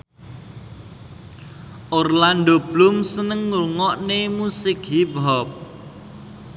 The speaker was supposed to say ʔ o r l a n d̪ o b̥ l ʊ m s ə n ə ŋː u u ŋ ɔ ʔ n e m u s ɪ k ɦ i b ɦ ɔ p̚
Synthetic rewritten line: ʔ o r l a n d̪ o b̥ l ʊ m s ə n ə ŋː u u ŋ ɔ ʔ n e m u s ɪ k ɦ i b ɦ ɔ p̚